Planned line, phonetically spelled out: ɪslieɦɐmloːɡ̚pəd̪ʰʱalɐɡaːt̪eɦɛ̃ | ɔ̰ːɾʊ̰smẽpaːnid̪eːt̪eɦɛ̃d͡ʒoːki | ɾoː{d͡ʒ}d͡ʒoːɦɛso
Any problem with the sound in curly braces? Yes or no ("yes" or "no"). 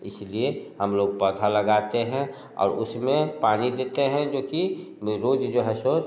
no